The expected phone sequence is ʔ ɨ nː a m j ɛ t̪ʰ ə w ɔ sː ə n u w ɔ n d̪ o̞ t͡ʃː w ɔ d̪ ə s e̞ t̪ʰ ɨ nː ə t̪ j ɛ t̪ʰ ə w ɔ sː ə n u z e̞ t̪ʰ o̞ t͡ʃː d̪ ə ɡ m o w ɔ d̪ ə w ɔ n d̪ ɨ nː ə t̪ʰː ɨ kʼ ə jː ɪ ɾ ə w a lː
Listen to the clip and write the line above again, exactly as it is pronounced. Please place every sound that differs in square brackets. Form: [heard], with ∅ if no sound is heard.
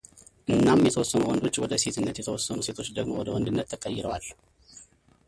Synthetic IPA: ʔ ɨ nː a m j ɛ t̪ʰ ə w ɔ sː ə n u w ɔ n d̪ o̞ t͡ʃː w ɔ d̪ ə s e̞ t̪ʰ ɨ nː ə t̪ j ɛ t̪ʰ ə w ɔ sː ə n u [s] e̞ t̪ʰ o̞ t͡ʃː d̪ ə ɡ m o w ɔ d̪ ə w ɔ n d̪ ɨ nː ə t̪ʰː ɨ kʼ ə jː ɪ ɾ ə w a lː